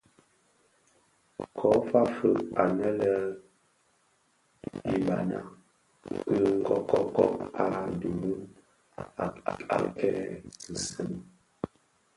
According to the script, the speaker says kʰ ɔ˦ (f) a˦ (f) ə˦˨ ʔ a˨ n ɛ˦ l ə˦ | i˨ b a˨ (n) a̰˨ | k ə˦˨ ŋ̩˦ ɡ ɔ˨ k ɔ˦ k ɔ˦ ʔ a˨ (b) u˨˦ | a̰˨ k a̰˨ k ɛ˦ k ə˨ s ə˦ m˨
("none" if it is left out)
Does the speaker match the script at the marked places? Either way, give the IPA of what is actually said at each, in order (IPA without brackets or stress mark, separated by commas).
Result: f, f, n, d